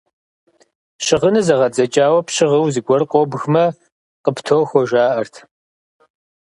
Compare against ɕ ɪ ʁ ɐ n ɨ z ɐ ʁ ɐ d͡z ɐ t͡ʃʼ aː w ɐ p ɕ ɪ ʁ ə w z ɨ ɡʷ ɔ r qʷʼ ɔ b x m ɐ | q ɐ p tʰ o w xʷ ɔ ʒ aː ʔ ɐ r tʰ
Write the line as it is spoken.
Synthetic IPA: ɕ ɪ ʁ ə n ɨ z ɐ ʁ ɐ d͡z ɐ t͡ʃʼ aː w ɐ p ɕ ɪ ʁ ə w z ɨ ɡʷ ɔ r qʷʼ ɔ b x m ɐ | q ə p tʰ o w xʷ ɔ ʒ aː ʔ ɐ r tʰ